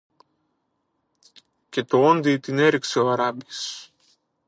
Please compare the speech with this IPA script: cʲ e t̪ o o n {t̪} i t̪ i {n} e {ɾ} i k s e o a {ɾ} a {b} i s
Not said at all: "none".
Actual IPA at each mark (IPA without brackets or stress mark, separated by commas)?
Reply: d̪, n, ɾ, ɾ, b